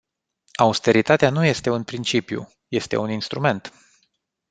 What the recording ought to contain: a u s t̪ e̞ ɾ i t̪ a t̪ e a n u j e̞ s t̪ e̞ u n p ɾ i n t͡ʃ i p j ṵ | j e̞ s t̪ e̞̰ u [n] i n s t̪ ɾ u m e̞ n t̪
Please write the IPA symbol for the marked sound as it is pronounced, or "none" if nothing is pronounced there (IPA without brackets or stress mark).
n